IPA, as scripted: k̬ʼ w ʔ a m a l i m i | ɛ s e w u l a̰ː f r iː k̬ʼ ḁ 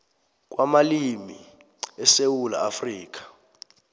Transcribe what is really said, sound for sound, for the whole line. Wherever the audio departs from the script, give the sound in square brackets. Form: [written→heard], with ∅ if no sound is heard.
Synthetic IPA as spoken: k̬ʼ w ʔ a m a l i m i | ɛ s e w u l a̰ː f r iː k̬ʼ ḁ